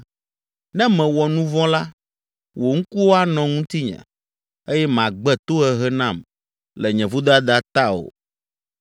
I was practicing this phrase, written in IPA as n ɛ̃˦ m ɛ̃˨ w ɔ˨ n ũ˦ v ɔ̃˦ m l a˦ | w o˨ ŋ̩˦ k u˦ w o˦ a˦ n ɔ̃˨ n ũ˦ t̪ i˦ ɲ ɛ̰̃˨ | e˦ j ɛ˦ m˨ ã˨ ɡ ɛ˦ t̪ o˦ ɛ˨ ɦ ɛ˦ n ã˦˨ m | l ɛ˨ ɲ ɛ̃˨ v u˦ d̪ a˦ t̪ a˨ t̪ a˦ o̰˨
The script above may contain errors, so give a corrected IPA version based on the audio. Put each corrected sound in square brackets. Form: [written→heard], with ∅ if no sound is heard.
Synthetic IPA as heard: n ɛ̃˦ m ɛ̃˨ w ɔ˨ n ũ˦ v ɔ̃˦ [m→∅] l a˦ | w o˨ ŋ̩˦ k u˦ w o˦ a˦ n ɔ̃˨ [n→ŋ] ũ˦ t̪ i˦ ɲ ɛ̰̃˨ | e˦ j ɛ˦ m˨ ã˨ [ɡ→ɡ͡b] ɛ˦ t̪ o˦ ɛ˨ ɦ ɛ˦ n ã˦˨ m | l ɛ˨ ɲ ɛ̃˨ v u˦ d̪ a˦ [t̪→d̪] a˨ t̪ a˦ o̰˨

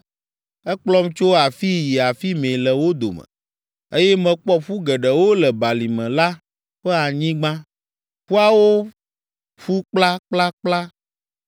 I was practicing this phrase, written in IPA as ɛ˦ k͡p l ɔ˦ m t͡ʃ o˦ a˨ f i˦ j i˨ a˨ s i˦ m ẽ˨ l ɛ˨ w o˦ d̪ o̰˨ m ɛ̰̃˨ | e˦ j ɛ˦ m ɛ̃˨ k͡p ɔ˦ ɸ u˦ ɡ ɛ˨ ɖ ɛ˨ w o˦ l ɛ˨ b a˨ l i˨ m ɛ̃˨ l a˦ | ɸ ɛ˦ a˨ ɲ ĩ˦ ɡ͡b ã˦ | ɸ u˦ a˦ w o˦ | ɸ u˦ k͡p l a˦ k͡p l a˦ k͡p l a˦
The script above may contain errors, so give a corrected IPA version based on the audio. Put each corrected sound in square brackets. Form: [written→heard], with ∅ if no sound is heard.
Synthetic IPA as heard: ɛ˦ k͡p l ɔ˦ m t͡ʃ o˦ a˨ f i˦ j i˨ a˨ [s→f] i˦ m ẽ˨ l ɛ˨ w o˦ d̪ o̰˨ m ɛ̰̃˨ | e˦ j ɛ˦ m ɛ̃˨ k͡p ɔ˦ ɸ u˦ ɡ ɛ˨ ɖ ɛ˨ w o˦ l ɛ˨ b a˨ l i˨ m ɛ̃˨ l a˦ | ɸ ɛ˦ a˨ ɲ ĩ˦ ɡ͡b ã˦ | ɸ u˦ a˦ w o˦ | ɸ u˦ k͡p l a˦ k͡p l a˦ k͡p l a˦

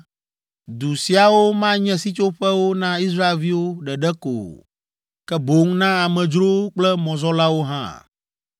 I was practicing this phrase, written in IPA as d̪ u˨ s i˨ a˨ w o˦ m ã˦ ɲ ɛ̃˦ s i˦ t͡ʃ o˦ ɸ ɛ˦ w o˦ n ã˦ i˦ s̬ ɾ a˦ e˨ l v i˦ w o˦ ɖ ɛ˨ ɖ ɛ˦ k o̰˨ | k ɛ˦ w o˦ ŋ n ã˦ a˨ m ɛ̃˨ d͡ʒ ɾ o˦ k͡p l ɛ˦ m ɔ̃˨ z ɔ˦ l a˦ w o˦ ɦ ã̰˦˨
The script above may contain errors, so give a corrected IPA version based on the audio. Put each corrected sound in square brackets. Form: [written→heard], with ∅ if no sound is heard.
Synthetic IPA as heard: d̪ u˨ s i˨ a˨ w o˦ m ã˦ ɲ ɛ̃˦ s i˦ t͡ʃ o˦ ɸ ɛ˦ w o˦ n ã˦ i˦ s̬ ɾ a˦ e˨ l v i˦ w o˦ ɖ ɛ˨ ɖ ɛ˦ k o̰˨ | k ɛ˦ [w→b] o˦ ŋ n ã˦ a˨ m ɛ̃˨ d͡ʒ ɾ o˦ k͡p l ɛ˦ m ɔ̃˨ z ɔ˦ l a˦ w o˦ ɦ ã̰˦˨

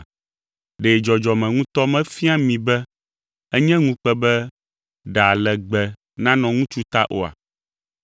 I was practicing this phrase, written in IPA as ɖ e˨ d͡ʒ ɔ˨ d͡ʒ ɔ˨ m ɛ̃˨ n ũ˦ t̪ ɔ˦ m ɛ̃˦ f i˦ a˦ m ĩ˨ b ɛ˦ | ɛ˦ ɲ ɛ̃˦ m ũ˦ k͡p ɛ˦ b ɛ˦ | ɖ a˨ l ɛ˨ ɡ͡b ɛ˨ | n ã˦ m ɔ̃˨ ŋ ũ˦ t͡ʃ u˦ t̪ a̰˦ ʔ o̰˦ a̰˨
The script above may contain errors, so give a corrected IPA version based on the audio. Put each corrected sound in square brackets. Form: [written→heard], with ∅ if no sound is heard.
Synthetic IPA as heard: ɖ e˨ d͡ʒ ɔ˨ d͡ʒ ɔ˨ m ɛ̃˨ [n→ŋ] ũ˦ t̪ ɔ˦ m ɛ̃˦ f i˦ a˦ m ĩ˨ b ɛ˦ | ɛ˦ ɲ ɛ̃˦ [m→ŋ] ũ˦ k͡p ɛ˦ b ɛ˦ | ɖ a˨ l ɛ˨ ɡ͡b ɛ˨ | n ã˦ [m→n] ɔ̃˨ ŋ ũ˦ t͡ʃ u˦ t̪ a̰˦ ʔ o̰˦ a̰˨

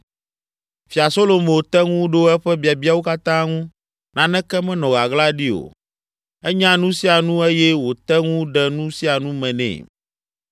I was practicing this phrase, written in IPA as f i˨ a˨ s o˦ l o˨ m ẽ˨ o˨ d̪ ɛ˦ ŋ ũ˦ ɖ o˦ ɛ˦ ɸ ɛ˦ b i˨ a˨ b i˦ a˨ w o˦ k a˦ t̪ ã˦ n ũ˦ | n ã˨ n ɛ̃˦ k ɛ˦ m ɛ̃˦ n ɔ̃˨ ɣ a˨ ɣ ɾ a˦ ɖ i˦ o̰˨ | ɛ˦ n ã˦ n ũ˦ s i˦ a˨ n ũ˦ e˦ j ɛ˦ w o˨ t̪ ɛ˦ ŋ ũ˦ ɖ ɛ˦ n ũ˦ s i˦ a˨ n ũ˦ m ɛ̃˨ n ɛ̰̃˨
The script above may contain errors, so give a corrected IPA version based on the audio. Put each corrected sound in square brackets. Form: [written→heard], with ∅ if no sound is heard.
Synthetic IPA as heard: f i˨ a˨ s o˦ l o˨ m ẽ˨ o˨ [d̪→t̪] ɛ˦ ŋ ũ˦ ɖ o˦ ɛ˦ ɸ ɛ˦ b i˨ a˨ b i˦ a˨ w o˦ k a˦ t̪ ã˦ [n→ŋ] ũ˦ | n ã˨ n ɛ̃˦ k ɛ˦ m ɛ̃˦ n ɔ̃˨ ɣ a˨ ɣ [ɾ→l] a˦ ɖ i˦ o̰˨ | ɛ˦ [n→ɲ] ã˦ n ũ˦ s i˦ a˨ n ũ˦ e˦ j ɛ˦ w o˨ t̪ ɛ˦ ŋ ũ˦ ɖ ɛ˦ n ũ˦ s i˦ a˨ n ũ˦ m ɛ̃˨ n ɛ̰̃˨

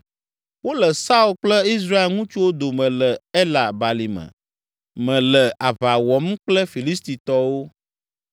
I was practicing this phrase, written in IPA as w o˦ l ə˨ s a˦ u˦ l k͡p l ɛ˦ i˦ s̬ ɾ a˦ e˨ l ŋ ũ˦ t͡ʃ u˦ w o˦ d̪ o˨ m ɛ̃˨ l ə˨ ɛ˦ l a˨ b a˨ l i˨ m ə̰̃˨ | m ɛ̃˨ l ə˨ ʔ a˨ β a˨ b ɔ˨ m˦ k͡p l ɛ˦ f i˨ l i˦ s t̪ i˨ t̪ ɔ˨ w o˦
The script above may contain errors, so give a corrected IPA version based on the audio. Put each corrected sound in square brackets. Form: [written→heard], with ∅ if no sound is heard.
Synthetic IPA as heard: w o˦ l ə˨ s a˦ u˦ l k͡p l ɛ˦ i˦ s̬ ɾ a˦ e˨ l ŋ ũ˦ t͡ʃ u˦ w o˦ d̪ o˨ m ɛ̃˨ l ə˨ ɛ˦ l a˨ b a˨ l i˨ m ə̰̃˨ | m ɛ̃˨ l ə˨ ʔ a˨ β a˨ [b→w] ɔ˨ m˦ k͡p l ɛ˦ f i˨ l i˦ s t̪ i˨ t̪ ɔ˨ w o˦

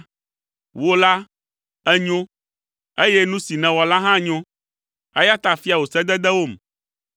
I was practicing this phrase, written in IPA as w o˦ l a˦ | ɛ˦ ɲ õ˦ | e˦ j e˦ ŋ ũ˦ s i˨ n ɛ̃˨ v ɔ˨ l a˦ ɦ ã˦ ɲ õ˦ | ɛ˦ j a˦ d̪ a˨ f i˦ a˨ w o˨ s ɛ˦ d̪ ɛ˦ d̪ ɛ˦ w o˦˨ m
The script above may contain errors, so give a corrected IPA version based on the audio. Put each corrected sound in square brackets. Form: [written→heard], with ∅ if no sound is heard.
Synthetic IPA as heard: w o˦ l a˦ | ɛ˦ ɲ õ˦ | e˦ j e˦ [ŋ→n] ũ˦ s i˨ n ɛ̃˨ [v→w] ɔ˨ l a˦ ɦ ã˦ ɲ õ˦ | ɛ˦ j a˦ [d̪→t̪] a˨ f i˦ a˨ w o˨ s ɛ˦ d̪ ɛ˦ d̪ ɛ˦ w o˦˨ m

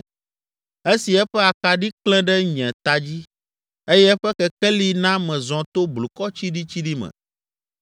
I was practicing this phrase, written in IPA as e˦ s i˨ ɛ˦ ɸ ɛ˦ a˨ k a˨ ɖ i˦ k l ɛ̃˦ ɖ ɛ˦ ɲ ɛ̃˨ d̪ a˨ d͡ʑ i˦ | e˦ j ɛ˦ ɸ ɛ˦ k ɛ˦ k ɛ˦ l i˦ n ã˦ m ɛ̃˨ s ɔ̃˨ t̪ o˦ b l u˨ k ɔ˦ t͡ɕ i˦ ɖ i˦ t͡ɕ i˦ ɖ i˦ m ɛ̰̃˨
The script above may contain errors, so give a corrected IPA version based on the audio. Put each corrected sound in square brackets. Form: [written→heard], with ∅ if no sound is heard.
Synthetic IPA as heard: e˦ s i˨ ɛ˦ ɸ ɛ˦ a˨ k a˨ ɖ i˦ k l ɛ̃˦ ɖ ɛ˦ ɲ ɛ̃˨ [d̪→t̪] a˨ d͡ʑ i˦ | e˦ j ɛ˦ ɸ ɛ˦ k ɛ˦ k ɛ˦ l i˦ n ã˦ m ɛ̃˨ [s→z] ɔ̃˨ t̪ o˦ b l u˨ k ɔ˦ t͡ɕ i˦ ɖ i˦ t͡ɕ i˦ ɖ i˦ m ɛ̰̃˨

